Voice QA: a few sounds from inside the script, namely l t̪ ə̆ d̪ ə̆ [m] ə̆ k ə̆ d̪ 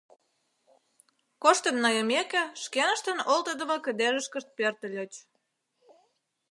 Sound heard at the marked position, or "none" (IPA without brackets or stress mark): m